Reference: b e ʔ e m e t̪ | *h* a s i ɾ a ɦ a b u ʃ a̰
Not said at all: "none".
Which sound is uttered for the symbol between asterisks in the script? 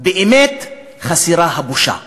χ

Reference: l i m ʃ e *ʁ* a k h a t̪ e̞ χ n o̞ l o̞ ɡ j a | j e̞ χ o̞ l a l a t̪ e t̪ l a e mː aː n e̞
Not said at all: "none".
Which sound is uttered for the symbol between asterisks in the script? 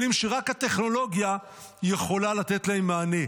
ʁ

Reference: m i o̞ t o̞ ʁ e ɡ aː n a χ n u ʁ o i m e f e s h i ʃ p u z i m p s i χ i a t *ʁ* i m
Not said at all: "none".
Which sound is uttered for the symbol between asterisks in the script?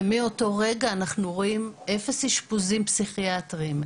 ʁ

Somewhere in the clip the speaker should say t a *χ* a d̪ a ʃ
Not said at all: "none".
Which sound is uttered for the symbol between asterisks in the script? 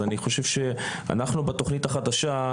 χ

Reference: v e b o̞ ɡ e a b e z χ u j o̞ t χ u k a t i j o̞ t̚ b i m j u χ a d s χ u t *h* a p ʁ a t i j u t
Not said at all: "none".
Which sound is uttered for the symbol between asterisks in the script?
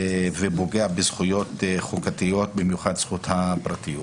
h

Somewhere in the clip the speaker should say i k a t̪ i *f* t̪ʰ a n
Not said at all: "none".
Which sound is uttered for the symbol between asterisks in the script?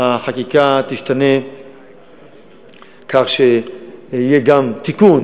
ʃ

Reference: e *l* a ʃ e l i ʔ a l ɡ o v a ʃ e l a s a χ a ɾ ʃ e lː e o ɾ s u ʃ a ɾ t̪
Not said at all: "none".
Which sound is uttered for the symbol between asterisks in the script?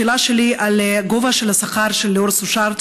l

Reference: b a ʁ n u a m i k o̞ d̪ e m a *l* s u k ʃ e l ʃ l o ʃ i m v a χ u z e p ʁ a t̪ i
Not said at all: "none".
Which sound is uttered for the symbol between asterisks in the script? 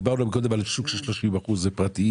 l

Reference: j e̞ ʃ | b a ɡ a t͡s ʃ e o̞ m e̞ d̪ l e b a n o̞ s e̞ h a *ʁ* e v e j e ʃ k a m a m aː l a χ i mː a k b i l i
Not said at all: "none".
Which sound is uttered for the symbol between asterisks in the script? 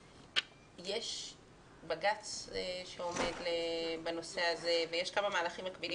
z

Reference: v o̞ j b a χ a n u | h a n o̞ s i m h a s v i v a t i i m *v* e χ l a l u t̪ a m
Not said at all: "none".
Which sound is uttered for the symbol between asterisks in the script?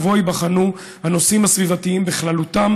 b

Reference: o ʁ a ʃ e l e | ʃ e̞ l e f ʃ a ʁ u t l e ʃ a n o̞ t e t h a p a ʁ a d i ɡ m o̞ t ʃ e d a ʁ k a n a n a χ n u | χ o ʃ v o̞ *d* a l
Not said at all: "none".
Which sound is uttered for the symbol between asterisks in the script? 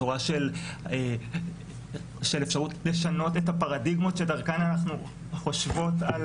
t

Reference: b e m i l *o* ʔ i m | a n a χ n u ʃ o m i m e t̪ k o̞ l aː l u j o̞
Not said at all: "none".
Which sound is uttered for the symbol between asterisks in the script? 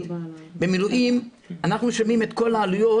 u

